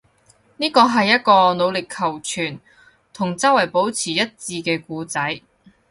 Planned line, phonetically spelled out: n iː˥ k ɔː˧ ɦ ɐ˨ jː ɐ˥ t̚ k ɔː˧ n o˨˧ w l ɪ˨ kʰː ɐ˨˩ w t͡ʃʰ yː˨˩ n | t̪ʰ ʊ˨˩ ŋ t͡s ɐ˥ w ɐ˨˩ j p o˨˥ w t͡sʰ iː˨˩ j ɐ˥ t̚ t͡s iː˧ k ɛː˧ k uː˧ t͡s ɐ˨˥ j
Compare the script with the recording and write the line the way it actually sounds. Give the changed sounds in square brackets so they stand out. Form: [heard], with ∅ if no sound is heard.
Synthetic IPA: n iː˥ k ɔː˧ ɦ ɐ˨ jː ɐ˥ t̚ k ɔː˧ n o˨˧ w l ɪ˨ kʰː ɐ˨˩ w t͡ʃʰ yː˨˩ n | t̪ʰ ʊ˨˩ ŋ t͡s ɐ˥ w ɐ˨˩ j p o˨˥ w t͡sʰ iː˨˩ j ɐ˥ t̚ t͡s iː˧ k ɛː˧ k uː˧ t͡s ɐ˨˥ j